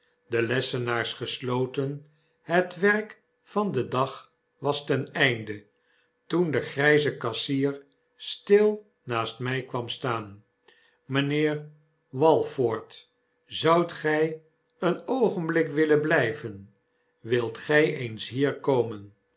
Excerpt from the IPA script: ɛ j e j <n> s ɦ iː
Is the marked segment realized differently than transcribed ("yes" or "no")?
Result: no